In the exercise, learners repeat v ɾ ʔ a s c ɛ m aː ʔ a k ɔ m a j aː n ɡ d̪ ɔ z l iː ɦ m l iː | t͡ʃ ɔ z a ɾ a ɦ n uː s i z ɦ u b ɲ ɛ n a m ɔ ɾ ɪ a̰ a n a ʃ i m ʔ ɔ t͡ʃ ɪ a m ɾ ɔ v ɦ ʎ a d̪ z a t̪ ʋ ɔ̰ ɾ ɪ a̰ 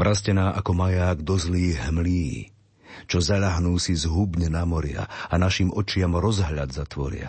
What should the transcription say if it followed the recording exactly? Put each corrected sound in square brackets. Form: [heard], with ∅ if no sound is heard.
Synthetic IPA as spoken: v ɾ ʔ a s c ɛ [n] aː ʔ a k ɔ m a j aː [∅] ɡ d̪ ɔ z l iː ɦ m l iː | t͡ʃ ɔ z a [ʎ] a ɦ n uː s i z ɦ u b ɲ ɛ n a m ɔ ɾ ɪ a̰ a n a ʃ i m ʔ ɔ t͡ʃ ɪ a m ɾ ɔ [z] ɦ ʎ a d̪ z a t̪ ʋ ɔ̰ ɾ ɪ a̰